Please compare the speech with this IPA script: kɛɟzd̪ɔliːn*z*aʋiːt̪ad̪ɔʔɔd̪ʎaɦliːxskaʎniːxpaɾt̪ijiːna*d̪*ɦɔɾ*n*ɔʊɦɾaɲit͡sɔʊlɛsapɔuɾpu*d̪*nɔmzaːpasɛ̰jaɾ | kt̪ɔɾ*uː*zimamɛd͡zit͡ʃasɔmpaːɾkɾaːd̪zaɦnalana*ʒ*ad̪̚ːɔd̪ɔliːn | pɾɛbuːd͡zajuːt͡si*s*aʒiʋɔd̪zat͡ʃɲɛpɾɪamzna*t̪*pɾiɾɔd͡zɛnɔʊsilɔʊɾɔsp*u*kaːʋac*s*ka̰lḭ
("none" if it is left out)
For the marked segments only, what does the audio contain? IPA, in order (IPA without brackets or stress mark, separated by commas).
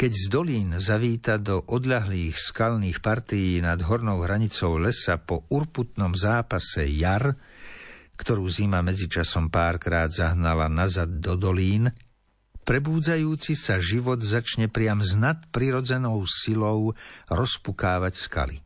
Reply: z, d̪, n, t̪, uː, z, s, t̪, u, s